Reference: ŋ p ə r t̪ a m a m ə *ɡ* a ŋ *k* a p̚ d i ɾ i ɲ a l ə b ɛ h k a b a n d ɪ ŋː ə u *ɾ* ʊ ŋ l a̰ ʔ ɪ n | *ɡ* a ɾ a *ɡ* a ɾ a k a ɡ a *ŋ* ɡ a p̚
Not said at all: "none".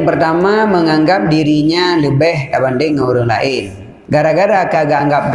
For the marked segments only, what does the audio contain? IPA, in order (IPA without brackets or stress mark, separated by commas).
ŋ, ɡ, ɾ, ɡ, ɡ, ŋ